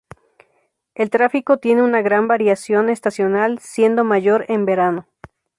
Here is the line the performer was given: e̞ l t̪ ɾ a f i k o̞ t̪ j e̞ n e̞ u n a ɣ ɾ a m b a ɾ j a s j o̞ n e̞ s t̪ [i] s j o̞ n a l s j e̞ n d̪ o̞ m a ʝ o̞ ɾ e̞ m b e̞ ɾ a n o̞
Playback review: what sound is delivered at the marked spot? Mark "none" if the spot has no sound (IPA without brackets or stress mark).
a